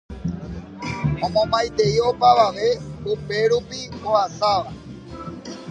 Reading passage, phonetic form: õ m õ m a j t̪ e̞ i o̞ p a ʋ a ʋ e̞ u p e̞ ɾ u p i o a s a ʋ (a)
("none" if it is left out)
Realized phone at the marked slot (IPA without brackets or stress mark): a